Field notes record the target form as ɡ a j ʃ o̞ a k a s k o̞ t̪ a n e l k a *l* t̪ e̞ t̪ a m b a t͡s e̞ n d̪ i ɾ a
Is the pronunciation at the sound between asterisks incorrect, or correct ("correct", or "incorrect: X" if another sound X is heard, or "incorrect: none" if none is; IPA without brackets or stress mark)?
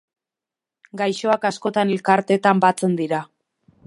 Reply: incorrect: ɾ